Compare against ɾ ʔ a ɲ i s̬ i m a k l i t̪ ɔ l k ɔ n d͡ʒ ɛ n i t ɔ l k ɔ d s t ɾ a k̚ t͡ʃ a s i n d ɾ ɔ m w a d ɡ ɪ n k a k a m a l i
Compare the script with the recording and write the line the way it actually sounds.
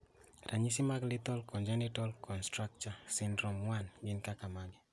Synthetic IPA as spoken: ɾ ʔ a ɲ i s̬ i m a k l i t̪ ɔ l k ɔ n d͡ʒ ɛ n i t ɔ l k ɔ n s t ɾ a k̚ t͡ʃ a s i n d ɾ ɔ m w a n ɡ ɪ n k a k a m a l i